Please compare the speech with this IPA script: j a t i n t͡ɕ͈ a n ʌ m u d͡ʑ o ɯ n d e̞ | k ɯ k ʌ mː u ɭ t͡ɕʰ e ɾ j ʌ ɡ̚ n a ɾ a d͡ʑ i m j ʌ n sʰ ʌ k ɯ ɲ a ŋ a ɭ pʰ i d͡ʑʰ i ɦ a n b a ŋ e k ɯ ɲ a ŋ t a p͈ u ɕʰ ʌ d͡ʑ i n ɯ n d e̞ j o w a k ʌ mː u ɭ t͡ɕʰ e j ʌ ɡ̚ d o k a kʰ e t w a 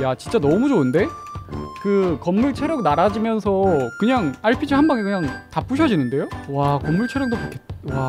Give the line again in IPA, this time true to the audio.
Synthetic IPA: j a t͡ɕ i n t͡ɕ͈ a n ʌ m u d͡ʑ o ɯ n d e̞ | k ɯ k ʌ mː u ɭ t͡ɕʰ e ɾ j ʌ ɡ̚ n a ɾ a d͡ʑ i m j ʌ n sʰ ʌ k ɯ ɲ a ŋ a ɭ pʰ i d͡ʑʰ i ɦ a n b a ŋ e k ɯ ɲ a ŋ t a p͈ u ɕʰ ʌ d͡ʑ i n ɯ n d e̞ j o w a k ʌ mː u ɭ t͡ɕʰ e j ʌ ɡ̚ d o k a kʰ e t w a